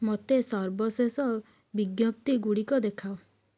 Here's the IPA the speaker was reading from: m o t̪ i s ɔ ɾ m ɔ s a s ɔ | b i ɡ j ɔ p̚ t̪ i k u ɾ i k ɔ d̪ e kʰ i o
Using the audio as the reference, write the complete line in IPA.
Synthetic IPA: m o t̪ e s ɔ ɾ b ɔ s e s ɔ | b i ɡ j ɔ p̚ t̪ i ɡ u ɽ i k ɔ d̪ e kʰ a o